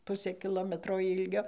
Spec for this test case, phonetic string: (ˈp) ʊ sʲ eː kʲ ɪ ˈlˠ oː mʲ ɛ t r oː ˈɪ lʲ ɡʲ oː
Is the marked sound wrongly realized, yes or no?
no